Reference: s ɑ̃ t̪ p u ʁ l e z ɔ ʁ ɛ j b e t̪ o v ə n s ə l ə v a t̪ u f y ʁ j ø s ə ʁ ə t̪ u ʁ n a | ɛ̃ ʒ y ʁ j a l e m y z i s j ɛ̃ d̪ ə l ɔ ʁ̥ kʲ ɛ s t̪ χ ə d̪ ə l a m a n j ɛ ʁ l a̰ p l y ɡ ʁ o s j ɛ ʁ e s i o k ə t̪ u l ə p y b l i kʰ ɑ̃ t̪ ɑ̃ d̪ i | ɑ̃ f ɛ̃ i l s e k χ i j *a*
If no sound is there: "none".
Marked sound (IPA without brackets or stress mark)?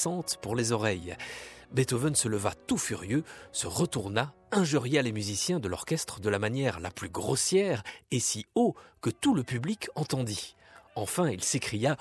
a